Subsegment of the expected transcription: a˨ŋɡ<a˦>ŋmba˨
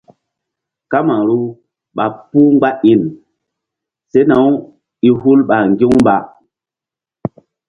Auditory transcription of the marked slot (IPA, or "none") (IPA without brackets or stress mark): i˦